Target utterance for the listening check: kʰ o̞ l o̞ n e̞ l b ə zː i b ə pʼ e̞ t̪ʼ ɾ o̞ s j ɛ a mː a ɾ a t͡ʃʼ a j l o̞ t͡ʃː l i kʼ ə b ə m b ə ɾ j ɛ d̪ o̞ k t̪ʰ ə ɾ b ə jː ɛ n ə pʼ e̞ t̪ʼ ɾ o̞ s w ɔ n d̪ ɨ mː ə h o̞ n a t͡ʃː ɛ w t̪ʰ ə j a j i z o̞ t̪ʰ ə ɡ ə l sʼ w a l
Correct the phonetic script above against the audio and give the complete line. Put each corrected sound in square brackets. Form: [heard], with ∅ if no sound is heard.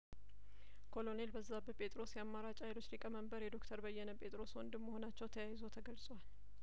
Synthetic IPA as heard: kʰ o̞ l o̞ n e̞ l b ə zː [a] b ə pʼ e̞ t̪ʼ ɾ o̞ s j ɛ a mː a ɾ a t͡ʃʼ a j l o̞ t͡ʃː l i kʼ ə [m] ə m b ə ɾ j ɛ d̪ o̞ k t̪ʰ ə ɾ b ə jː ɛ n ə pʼ e̞ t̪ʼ ɾ o̞ s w ɔ n d̪ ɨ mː ə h o̞ n a t͡ʃː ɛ w t̪ʰ ə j a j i z o̞ t̪ʰ ə ɡ ə l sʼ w a l

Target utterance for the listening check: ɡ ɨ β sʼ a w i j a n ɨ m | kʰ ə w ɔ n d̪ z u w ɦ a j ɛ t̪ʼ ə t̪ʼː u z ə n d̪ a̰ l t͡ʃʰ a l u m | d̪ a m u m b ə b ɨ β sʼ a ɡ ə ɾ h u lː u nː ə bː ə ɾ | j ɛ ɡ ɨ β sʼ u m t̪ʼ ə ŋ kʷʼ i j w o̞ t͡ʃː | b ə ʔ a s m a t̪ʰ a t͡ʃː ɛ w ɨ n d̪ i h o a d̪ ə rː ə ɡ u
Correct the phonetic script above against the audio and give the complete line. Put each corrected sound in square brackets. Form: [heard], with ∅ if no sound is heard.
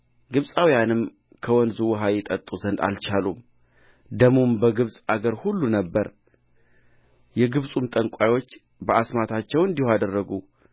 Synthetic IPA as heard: ɡ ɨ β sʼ a w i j a n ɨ m | kʰ ə w ɔ n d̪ z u w ɦ a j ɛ t̪ʼ ə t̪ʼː u z ə n d̪ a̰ l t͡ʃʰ a l u m | d̪ [ə] m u m b ə [ɡ] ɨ β sʼ a ɡ ə ɾ h u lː u [n] ə bː ə ɾ | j ɛ ɡ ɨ β sʼ u m t̪ʼ ə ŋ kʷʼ [a] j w o̞ t͡ʃː | b ə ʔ a s m a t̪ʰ a t͡ʃː ɛ w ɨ n d̪ i h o a d̪ ə rː ə ɡ u

